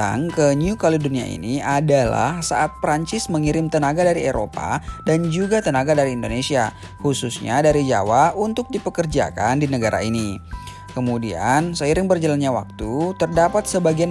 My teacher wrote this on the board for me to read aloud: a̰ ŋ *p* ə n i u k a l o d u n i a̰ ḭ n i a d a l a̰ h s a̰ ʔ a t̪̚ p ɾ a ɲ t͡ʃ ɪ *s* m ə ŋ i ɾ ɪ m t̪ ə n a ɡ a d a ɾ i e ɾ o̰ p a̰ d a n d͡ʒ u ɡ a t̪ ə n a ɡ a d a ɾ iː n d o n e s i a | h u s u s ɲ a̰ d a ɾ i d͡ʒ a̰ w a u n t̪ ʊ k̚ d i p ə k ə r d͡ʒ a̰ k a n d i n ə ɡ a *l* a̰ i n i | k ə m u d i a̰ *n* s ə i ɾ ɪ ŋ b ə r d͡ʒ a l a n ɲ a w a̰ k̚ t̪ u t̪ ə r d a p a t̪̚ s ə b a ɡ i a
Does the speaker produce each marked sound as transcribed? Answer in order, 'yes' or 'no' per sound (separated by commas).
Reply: no, yes, no, yes